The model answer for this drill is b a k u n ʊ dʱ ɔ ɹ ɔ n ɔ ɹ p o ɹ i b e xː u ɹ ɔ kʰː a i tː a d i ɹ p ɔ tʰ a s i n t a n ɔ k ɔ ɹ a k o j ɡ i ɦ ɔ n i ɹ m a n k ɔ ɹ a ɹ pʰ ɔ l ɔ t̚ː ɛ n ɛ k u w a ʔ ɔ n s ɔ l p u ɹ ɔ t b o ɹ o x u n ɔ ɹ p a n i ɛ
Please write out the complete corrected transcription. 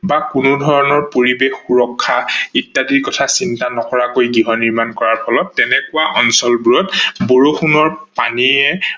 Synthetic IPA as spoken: b a k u n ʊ dʱ ɔ ɹ ɔ n ɔ ɹ p o ɹ i b e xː u ɹ ɔ kʰː a i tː a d i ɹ k ɔ tʰ a s i n t a n ɔ k ɔ ɹ a k o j ɡ i ɦ ɔ n i ɹ m a n k ɔ ɹ a ɹ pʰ ɔ l ɔ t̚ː ɛ n ɛ k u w a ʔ ɔ n s ɔ l b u ɹ ɔ t b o ɹ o x u n ɔ ɹ p a n i ɛ

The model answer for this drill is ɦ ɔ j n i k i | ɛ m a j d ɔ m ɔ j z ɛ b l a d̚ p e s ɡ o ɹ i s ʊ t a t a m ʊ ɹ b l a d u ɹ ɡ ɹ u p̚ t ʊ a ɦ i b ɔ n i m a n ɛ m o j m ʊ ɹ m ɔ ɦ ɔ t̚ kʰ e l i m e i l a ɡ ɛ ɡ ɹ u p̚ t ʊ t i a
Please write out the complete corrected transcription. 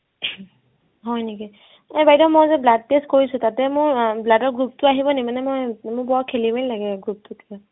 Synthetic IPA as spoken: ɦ ɔ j n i k i | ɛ b a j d ɔ m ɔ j z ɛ b l a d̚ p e s k o ɹ i s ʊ t a t ɛ m ʊ ɹ b l a d ɔ ɹ ɡ ɹ u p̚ t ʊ a ɦ i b ɔ n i m a n ɛ m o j m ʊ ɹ b ɔ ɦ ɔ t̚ kʰ e l i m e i l a ɡ ɛ ɡ ɹ u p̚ t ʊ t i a

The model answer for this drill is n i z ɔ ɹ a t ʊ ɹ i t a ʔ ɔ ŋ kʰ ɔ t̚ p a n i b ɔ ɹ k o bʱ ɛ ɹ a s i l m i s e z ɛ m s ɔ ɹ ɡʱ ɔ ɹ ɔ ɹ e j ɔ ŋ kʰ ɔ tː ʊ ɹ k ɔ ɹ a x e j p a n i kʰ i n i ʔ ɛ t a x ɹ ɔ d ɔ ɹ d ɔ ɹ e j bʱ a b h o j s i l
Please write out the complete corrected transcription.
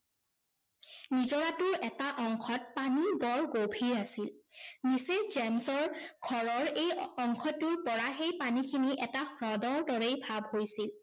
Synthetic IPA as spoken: n i z ɔ ɹ a t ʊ ɹ ɛ t a ʔ ɔ ŋ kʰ ɔ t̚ p a n i b ɔ ɹ ɡ o bʱ i ɹ a s i l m i s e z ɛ m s ɔ ɹ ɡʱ ɔ ɹ ɔ ɹ e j ɔ ŋ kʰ ɔ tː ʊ ɹ p ɔ ɹ a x e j p a n i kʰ i n i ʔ ɛ t a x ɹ ɔ d ɔ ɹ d ɔ ɹ e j bʱ a b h o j s i l

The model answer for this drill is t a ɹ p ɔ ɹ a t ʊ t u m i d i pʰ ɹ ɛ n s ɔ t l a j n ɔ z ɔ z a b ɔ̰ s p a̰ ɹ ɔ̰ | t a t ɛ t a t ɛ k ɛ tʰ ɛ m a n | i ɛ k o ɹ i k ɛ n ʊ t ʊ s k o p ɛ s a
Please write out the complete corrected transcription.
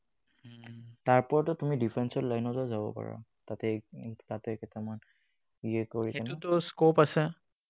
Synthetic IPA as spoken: t a ɹ p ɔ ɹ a t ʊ t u m i d i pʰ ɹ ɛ n s ɔ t l a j n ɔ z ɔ z a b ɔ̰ p a̰ ɹ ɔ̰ | t a t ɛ t a t ɛ k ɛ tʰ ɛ m a n | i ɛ k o ɹ i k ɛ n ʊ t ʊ s k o p a s ɛ

